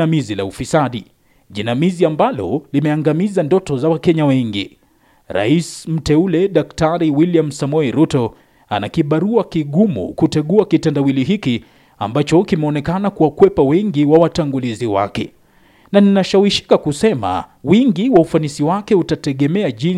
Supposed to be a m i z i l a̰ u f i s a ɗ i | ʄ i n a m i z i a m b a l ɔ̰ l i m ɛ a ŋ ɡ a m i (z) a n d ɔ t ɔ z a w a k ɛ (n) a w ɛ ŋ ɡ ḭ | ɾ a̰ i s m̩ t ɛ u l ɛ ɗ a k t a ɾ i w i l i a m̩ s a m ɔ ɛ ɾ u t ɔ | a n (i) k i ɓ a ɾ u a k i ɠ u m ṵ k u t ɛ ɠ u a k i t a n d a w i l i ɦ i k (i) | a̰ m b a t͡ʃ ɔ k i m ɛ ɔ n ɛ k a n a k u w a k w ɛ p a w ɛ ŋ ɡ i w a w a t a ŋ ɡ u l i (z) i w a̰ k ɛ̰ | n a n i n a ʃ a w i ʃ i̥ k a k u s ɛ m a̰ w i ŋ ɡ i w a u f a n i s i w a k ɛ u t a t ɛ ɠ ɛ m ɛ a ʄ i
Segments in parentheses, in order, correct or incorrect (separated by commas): correct, incorrect, incorrect, correct, correct